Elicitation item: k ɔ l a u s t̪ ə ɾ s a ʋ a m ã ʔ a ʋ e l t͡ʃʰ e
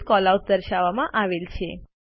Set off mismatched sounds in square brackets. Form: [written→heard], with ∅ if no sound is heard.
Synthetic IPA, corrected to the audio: k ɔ l a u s [t̪→d̪] ə ɾ [s→ʃ] a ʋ a m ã ʔ a ʋ e l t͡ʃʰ e